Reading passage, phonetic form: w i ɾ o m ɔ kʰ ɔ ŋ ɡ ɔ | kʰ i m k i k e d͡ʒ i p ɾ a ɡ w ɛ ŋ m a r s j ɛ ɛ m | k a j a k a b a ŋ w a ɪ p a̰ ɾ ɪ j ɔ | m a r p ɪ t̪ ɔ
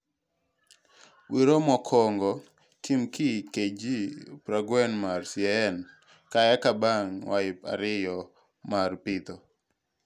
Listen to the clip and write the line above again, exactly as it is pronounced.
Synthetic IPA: w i ɾ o m ɔ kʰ ɔ ŋ ɡ ɔ | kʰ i m k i k e d͡ʒ i p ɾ a ɡ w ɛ n m a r s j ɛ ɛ n | k a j a k a b a ŋ w a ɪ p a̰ ɾ ɪ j ɔ | m a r p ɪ t̪ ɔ